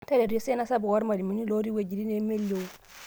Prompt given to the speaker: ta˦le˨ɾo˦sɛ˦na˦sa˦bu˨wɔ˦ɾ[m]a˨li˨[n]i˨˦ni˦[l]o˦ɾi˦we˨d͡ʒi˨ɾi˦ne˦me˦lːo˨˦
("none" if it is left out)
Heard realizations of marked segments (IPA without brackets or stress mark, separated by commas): m, m, l